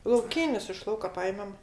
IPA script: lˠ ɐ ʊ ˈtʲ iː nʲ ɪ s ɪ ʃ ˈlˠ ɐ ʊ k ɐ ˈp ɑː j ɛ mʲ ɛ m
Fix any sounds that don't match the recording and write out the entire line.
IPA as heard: lˠ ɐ ʊ ˈkʲ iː nʲ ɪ s ɪ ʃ ˈlˠ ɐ ʊ k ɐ ˈp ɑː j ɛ mʲ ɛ m